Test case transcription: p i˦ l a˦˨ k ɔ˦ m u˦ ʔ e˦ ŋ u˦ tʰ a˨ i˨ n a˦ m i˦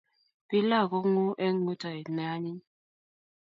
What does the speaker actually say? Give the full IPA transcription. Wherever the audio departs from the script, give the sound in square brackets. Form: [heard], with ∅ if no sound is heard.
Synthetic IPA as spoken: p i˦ l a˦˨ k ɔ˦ [ŋ] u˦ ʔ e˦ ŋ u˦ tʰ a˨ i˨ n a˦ [ɲ] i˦